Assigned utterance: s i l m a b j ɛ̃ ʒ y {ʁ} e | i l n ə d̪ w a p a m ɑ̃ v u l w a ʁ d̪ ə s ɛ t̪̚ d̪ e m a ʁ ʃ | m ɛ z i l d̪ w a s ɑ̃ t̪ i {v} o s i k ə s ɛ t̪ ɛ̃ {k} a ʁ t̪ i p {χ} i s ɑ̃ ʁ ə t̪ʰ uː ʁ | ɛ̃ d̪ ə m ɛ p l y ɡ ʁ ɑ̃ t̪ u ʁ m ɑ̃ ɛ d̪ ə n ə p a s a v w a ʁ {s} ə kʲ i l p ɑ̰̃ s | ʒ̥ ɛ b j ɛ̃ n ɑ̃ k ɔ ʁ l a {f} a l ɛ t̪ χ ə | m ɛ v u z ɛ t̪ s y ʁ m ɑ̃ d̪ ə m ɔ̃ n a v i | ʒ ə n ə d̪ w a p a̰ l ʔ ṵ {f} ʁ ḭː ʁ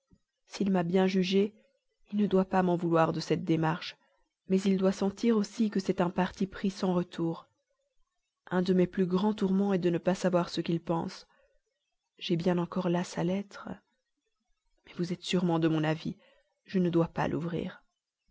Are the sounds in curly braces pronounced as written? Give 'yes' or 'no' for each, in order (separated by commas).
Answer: no, no, no, yes, yes, no, no